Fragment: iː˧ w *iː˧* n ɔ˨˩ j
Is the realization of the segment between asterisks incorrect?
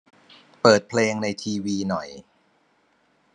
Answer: no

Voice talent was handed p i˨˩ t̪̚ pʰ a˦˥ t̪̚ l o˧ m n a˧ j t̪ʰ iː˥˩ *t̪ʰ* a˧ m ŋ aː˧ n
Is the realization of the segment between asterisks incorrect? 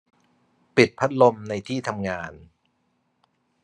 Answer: no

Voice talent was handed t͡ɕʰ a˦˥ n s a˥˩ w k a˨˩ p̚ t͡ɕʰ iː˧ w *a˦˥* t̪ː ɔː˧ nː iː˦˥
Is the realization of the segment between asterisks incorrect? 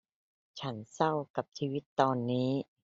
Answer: yes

